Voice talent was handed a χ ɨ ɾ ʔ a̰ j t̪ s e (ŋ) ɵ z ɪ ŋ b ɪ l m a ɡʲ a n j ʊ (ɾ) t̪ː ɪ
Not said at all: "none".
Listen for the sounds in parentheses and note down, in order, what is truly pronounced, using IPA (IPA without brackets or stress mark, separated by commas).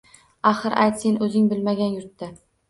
n, ɾ